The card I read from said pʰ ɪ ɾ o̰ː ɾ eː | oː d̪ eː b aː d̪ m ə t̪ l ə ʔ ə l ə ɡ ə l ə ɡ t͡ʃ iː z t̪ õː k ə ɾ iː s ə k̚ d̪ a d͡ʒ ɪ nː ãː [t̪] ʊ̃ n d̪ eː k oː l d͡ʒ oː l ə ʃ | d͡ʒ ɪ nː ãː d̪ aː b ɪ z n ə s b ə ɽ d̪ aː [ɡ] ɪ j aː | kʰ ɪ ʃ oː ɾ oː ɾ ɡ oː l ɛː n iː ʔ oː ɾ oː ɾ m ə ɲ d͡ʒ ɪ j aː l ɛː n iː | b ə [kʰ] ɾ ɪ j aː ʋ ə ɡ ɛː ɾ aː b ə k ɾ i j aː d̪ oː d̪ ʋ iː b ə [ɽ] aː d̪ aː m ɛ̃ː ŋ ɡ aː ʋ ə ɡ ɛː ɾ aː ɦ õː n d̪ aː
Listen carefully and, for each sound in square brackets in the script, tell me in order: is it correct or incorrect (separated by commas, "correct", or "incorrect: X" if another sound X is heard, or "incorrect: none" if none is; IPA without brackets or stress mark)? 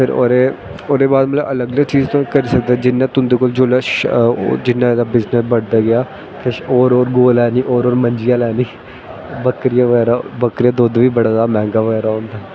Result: correct, correct, incorrect: k, correct